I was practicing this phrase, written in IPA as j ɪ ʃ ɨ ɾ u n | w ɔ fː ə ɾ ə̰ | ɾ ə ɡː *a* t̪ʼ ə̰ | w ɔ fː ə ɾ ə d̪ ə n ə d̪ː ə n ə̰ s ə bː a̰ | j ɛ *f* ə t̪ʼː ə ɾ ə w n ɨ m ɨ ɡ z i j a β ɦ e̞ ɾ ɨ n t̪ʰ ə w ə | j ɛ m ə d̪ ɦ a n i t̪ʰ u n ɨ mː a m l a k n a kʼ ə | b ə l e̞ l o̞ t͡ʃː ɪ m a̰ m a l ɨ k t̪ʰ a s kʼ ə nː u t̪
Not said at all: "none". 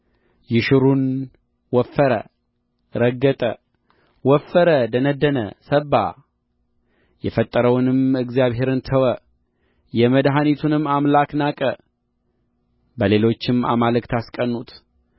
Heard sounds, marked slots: ə, f

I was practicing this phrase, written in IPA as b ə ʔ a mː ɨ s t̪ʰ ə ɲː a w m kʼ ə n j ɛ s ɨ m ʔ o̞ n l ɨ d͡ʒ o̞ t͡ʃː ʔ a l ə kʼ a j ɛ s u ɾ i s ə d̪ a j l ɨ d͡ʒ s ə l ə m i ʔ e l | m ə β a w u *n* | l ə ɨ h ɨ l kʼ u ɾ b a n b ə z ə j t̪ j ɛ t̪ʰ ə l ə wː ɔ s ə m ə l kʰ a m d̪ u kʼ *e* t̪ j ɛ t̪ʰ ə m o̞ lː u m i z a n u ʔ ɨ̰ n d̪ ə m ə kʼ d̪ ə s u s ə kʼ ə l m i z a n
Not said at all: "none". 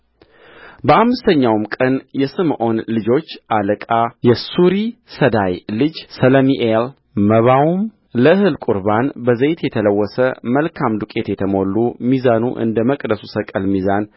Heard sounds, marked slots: m, e

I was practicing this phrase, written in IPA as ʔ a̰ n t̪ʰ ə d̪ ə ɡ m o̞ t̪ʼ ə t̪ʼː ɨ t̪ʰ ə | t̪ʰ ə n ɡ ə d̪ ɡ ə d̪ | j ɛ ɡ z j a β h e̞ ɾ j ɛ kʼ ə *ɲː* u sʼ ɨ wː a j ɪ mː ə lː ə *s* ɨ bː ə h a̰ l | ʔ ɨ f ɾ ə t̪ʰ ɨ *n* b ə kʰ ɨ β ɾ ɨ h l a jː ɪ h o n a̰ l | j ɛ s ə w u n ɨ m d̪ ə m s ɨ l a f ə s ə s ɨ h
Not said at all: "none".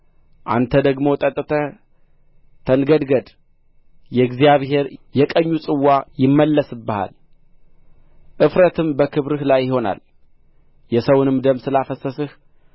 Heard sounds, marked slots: ɲː, s, m

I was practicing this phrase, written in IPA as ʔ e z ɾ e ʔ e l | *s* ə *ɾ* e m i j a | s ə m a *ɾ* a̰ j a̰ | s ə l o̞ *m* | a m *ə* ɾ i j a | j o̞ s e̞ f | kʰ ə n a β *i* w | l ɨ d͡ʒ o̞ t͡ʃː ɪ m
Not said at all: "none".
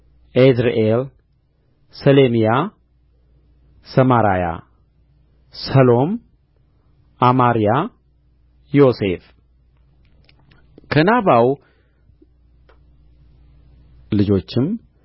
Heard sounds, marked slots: s, l, ɾ, m, a, a

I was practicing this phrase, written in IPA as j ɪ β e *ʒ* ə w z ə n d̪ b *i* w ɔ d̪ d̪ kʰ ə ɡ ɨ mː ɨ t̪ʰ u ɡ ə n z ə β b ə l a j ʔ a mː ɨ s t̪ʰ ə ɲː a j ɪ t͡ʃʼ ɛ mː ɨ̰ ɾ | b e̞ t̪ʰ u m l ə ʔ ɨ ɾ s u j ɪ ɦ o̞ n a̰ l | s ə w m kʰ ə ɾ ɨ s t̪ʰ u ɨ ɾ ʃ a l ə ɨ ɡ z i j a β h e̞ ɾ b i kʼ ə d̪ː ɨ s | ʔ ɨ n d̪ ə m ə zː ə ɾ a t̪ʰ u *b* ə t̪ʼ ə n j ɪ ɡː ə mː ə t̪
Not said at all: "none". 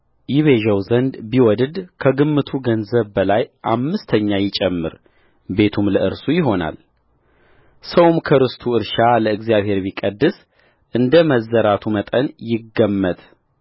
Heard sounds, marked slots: ʒ, i, m

